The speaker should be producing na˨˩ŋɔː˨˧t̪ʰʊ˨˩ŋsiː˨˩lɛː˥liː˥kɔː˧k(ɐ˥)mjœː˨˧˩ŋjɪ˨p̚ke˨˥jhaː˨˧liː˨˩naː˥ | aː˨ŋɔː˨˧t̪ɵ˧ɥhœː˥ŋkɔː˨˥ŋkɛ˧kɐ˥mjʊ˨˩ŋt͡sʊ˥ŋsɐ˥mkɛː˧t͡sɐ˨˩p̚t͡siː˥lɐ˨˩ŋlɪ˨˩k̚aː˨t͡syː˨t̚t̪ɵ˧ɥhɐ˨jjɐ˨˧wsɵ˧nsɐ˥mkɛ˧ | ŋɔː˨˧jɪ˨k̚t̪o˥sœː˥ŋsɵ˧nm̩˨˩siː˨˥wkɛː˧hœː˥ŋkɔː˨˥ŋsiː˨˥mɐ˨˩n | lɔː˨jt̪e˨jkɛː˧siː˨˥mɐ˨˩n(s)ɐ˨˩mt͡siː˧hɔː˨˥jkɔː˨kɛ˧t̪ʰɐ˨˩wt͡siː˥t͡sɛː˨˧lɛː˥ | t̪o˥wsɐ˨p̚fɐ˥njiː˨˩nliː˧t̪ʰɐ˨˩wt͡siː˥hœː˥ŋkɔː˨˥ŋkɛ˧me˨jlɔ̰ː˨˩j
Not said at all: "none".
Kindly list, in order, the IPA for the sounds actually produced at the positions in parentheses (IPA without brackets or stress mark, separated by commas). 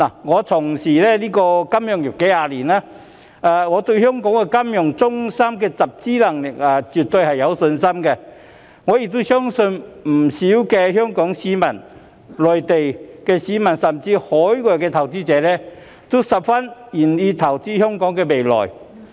ɐ˥, s